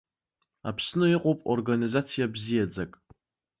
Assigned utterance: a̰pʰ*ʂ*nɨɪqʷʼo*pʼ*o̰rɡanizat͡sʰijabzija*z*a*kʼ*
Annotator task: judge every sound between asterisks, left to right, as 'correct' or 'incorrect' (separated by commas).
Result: incorrect, correct, incorrect, correct